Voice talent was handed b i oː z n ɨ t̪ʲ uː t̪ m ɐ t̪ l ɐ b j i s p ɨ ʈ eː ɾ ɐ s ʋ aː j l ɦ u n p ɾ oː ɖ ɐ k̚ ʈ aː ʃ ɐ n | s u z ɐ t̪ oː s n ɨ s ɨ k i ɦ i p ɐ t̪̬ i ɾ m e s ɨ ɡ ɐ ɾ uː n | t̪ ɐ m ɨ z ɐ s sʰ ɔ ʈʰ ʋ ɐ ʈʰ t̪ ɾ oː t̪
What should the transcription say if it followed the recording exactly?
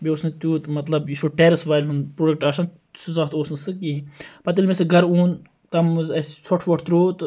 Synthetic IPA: b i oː s n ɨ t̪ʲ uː t̪ m ɐ t̪ l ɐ b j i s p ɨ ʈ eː ɾ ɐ s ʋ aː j l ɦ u n p ɾ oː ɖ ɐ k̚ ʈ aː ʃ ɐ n | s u z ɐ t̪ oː s n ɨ s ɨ k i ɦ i p ɐ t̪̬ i l m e s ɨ ɡ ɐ ɾ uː n | t̪ ɐ m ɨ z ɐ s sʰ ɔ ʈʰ ʋ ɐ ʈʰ t̪ ɾ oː t̪

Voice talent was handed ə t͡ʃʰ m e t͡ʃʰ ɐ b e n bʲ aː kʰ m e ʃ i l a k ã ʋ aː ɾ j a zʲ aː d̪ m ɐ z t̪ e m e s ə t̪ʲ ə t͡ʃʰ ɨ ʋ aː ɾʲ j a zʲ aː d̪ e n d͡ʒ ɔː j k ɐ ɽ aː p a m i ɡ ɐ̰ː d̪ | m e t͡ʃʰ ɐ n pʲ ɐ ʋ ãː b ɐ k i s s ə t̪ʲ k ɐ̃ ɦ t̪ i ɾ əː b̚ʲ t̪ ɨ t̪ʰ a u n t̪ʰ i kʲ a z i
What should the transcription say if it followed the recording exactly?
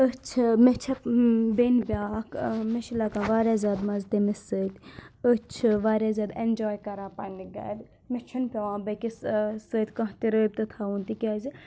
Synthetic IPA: ə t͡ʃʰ m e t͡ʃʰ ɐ b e n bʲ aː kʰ m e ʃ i l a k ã ʋ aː ɾ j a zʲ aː d̪ m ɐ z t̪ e m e s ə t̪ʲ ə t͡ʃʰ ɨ ʋ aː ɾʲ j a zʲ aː d̪ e n d͡ʒ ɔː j k ɐ ɾ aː p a n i ɡ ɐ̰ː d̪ | m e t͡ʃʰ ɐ n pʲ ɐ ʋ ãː b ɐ k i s s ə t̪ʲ k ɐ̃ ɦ t̪ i ɾ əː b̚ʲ t̪ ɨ t̪ʰ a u n t̪ i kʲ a z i

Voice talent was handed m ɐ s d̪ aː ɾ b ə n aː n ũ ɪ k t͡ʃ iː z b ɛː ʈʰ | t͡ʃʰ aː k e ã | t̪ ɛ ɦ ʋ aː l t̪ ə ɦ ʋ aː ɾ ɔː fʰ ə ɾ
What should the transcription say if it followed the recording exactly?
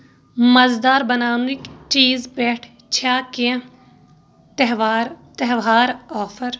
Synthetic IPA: m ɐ z d̪ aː ɾ b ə n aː n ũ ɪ k t͡ʃ iː z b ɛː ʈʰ | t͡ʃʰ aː k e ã | t̪ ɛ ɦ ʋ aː ɾ t̪ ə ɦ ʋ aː ɾ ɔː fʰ ə ɾ

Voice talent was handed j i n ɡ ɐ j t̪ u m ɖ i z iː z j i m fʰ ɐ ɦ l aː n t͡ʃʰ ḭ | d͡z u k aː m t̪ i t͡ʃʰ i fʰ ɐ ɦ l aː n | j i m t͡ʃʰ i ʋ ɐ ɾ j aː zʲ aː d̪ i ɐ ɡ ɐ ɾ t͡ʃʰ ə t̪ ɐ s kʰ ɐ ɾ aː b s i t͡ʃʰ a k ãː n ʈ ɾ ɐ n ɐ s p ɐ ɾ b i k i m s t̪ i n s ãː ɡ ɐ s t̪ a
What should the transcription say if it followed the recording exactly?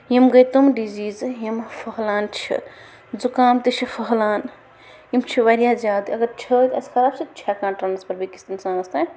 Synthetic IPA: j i m ɡ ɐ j t̪ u m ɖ i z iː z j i m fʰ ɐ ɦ l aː n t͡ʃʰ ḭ | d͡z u k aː m t̪ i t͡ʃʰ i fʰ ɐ ɦ l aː n | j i m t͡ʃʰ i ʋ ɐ ɾ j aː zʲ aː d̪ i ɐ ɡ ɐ ɾ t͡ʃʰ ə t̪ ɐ s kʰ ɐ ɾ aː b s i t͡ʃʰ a k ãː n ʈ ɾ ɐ n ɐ s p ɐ ɾ b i k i s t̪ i n s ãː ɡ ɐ s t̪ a

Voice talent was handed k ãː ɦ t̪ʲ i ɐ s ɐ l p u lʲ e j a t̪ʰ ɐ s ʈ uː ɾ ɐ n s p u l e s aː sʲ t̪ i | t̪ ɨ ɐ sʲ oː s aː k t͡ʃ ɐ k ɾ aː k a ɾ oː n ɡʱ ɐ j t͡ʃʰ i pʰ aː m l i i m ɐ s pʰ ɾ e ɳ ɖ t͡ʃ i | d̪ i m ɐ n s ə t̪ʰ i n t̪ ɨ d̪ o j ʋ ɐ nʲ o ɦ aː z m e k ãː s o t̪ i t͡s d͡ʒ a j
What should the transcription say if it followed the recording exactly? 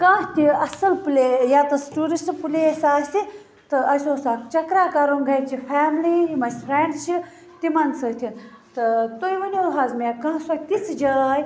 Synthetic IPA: k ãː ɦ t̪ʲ i ɐ s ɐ l p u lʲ e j a t̪ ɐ s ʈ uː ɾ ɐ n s p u l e s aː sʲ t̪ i | t̪ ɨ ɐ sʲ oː s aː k t͡ʃ ɐ k ɾ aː k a ɾ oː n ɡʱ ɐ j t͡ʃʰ i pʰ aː m l i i m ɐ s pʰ ɾ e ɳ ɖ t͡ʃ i | t̪ i m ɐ n s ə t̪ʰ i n t̪ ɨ t̪ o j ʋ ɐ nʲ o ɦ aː z m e k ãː s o t̪ i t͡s d͡ʒ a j

